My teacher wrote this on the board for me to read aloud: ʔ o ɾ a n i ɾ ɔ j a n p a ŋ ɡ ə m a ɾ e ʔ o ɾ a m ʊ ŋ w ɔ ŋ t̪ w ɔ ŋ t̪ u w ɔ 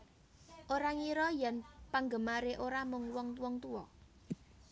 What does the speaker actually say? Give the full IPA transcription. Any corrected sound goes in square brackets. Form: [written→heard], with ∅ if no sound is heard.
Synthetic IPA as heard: ʔ o ɾ a [n→ŋ] i ɾ ɔ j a n p a ŋ ɡ ə m a ɾ e ʔ o ɾ a m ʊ ŋ w ɔ ŋ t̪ w ɔ ŋ t̪ u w ɔ